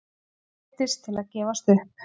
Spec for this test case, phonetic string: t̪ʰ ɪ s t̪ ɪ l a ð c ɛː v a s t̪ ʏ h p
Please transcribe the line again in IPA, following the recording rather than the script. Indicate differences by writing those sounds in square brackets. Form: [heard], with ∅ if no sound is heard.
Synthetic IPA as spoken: [t̪] ɪ s [t̪ʰ] ɪ l a ð c ɛː v a s t̪ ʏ h p